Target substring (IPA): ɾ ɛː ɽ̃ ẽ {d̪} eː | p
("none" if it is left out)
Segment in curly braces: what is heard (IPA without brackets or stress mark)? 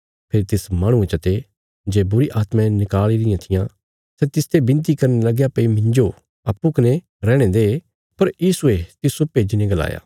d̪